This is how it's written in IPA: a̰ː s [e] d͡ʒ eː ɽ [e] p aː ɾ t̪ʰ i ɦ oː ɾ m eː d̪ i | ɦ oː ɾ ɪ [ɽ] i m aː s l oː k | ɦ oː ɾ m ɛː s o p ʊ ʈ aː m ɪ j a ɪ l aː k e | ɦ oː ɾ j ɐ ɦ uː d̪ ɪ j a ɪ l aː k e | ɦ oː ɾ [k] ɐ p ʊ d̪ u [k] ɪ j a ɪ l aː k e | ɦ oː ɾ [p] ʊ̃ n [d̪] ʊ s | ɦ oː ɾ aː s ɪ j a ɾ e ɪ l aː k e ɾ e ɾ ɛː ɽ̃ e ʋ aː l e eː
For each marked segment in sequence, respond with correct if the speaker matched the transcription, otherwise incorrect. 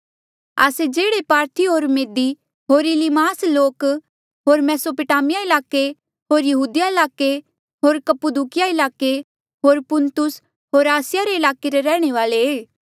correct, correct, incorrect: l, correct, correct, correct, incorrect: t̪

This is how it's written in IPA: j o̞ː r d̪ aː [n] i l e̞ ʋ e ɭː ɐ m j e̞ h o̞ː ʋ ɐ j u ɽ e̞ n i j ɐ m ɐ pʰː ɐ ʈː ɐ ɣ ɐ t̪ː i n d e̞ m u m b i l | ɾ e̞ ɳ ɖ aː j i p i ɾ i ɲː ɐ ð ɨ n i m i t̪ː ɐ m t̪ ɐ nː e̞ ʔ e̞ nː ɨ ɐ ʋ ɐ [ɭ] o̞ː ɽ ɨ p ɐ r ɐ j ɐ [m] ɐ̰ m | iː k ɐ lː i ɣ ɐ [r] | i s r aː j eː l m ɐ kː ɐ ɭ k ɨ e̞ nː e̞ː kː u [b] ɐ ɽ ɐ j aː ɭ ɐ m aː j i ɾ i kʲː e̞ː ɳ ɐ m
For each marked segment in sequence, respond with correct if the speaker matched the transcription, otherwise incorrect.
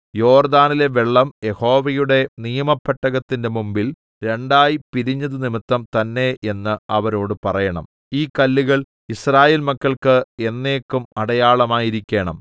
correct, incorrect: ɾ, incorrect: ɳ, incorrect: ɭ, incorrect: m

